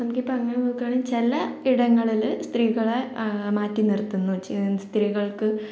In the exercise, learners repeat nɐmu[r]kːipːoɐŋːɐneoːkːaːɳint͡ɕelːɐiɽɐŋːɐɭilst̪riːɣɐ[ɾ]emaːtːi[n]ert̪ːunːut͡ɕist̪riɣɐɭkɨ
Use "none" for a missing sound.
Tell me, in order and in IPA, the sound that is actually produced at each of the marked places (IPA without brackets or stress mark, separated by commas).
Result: none, ɭ, n